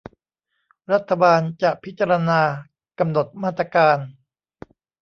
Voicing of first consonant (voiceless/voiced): voiced